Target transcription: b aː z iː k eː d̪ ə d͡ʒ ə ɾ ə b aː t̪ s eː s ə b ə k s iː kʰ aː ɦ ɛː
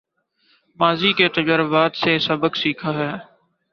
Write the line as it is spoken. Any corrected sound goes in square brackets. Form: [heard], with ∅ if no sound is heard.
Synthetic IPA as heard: [m] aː z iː k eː [t̪] ə d͡ʒ ə ɾ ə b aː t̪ s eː s ə b ə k s iː kʰ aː ɦ ɛː